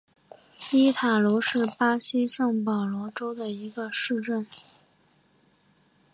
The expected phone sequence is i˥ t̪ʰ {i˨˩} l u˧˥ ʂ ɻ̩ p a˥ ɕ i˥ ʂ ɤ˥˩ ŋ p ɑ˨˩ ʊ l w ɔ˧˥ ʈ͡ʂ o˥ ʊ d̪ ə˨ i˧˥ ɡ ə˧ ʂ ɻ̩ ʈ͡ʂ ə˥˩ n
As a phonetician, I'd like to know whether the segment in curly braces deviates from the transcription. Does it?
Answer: yes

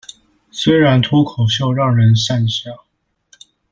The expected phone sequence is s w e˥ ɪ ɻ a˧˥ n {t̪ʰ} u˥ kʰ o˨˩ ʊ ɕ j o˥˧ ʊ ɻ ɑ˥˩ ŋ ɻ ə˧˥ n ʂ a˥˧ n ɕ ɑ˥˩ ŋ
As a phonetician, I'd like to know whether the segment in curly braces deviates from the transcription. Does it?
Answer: no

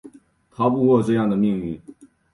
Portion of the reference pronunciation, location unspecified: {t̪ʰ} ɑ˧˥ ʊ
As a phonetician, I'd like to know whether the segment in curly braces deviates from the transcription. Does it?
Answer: no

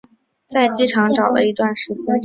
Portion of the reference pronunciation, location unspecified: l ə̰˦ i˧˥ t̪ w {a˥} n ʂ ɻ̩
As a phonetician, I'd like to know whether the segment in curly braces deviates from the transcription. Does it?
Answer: yes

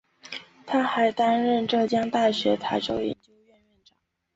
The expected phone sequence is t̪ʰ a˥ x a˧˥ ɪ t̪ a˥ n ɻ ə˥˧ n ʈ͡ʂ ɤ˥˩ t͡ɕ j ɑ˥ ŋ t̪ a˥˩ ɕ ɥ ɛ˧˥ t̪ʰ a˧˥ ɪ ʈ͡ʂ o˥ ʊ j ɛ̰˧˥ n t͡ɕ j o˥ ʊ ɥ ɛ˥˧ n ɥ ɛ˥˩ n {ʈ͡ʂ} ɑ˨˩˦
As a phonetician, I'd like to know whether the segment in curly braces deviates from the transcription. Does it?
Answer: no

